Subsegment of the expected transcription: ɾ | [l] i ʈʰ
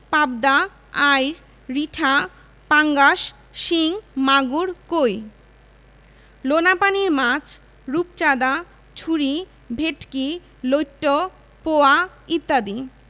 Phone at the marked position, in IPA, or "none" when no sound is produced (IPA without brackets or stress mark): ɾ